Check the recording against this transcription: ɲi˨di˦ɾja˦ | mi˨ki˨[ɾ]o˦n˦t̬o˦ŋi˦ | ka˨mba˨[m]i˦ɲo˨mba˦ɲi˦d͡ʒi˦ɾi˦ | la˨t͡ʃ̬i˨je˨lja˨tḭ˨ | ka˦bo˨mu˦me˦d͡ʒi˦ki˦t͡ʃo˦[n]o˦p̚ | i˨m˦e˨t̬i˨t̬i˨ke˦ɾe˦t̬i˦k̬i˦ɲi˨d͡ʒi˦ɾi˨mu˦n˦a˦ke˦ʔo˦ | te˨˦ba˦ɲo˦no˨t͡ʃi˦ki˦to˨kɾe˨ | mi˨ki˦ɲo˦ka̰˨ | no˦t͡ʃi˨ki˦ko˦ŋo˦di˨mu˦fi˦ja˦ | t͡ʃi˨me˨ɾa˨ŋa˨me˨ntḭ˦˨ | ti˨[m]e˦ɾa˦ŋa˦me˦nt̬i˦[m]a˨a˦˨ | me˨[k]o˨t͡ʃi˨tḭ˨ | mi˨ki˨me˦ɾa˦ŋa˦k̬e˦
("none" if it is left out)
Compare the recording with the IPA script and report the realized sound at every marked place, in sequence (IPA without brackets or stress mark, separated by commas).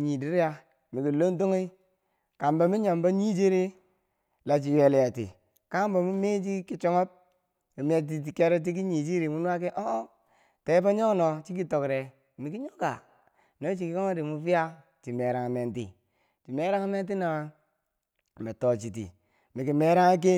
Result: l, m, ŋ, m, n, t